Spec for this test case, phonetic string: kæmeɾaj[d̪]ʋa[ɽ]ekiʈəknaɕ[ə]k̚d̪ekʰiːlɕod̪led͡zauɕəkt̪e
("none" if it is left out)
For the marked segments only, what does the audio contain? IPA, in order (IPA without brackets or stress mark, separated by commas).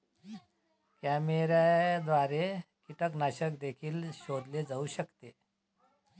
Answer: d̪, ɾ, ə